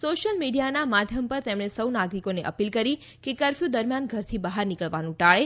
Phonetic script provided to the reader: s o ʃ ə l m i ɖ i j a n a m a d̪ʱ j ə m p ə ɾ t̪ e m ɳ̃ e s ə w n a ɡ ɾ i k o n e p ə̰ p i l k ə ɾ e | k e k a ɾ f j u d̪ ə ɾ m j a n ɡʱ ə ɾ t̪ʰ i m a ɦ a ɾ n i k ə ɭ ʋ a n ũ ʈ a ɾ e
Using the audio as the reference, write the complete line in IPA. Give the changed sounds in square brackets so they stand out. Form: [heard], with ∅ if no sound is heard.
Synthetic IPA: s o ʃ ə l m i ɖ i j a n a m a d̪ʱ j ə m p ə ɾ t̪ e m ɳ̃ e s ə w n a ɡ ɾ i k o n e [ʔ] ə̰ p i l k ə ɾ [i] | k e k [ə] ɾ f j u d̪ ə ɾ m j a n ɡʱ ə ɾ t̪ʰ i [b] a ɦ a ɾ n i k ə ɭ ʋ a n ũ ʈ a [ɭ] e